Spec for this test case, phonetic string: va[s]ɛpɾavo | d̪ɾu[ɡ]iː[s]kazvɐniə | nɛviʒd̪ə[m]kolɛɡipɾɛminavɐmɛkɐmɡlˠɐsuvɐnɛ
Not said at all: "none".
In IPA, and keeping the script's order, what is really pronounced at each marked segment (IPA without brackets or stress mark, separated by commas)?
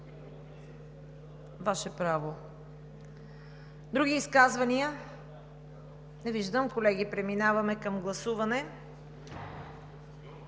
ʃ, ɡ, s, m